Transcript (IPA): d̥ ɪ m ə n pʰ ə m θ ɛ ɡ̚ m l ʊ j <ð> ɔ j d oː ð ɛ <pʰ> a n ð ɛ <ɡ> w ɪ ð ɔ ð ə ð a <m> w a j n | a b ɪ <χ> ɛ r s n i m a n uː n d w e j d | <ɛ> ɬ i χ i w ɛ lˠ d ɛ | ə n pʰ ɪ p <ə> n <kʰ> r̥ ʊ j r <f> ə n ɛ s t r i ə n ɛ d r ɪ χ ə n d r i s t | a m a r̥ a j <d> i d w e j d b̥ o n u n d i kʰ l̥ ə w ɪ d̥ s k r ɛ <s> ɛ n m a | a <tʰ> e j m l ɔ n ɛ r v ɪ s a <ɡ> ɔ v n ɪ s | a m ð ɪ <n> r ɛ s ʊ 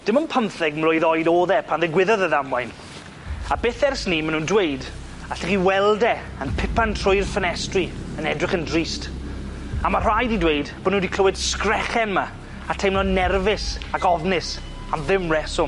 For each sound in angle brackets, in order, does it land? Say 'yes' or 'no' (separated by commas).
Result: yes, yes, yes, yes, no, no, no, no, yes, yes, no, yes, no, no